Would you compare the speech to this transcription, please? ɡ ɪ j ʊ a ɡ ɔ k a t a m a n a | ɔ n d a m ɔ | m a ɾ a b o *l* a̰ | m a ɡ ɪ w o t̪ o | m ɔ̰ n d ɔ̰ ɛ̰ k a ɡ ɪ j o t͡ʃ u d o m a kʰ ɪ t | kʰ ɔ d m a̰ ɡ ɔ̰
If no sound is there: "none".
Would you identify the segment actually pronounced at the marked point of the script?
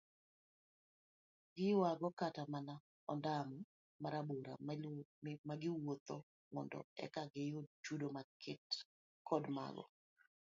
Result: ɾ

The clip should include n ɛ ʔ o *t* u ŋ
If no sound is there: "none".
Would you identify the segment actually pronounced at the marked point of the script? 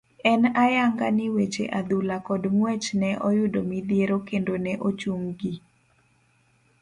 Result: t͡ʃ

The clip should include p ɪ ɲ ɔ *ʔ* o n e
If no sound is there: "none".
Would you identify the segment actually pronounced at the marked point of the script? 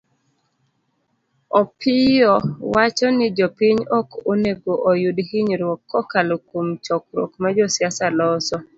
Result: k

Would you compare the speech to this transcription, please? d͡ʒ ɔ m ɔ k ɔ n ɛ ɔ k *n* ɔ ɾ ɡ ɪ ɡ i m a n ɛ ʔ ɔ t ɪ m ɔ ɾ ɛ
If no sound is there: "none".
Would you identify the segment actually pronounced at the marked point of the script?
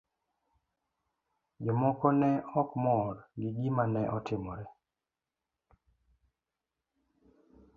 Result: m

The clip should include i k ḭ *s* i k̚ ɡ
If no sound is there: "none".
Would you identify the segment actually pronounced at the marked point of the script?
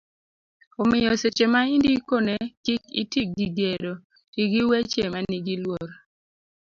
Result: t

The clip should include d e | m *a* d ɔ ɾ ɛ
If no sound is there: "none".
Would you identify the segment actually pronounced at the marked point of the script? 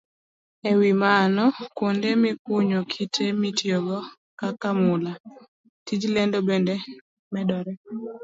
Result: ɛ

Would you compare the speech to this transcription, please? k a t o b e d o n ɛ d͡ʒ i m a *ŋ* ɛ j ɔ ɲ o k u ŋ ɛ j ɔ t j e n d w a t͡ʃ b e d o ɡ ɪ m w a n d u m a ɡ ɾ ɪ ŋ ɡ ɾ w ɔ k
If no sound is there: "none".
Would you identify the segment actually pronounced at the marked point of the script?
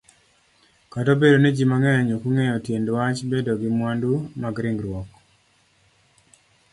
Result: ŋ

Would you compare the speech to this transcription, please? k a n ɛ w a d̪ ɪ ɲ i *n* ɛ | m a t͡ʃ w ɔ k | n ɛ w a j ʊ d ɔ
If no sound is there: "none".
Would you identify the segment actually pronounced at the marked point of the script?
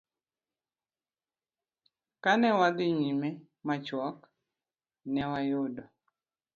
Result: m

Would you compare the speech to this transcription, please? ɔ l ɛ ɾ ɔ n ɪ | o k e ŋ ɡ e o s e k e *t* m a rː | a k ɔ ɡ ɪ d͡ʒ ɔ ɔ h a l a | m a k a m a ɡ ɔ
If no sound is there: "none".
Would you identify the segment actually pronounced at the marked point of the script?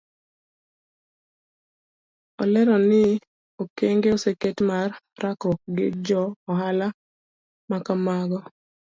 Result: t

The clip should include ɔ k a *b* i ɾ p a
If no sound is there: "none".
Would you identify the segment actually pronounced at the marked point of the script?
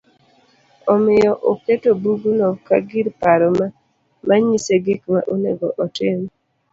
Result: ɡ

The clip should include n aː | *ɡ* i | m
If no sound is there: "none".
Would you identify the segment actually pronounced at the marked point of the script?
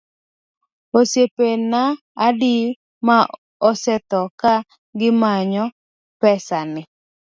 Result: d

